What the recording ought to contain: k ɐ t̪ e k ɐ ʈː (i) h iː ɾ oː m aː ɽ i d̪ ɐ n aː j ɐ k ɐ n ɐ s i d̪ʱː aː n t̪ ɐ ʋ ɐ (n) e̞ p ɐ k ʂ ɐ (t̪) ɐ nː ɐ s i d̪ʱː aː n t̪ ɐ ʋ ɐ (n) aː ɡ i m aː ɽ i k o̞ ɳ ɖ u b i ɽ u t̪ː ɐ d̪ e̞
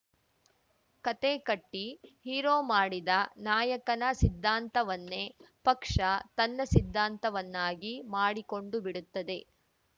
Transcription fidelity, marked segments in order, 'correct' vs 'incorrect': correct, incorrect: nː, correct, incorrect: nː

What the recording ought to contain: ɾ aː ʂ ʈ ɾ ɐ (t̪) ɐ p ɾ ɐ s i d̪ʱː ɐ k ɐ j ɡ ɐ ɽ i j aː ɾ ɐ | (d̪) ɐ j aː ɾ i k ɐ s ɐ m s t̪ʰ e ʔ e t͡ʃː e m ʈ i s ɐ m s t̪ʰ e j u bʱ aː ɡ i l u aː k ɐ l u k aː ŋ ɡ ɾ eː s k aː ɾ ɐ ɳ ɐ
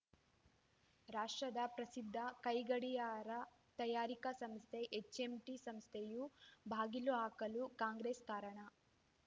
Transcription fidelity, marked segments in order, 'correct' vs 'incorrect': incorrect: d̪, incorrect: t̪

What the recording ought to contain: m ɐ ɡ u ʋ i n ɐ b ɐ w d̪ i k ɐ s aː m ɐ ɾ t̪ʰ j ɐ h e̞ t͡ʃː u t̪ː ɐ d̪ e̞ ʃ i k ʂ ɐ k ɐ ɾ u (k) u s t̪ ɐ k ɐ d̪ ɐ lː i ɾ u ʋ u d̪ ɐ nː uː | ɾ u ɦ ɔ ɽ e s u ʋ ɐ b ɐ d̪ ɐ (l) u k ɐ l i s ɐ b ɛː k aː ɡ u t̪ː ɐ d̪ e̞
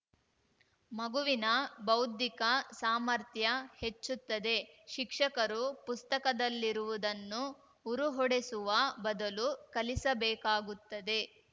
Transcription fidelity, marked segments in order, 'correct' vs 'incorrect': incorrect: p, correct

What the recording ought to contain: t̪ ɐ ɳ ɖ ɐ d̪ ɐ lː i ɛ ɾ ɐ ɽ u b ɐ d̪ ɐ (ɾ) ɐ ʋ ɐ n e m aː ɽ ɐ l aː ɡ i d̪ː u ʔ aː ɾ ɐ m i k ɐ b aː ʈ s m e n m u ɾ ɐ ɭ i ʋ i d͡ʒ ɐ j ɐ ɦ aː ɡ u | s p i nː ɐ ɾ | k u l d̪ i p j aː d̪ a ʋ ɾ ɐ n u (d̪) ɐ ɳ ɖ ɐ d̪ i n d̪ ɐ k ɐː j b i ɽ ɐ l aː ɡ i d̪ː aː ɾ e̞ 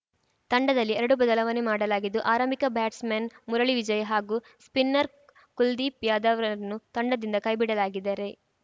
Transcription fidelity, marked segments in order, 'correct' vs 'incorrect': incorrect: l, incorrect: t̪

